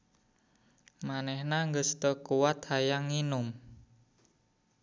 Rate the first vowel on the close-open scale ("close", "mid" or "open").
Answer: open